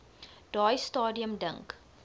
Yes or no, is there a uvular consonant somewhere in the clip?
no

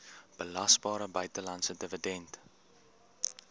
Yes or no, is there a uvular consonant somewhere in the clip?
no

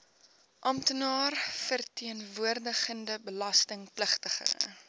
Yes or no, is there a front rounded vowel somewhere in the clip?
no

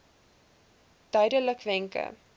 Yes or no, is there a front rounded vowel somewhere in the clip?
yes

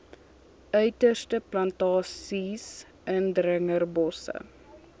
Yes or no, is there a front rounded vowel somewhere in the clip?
yes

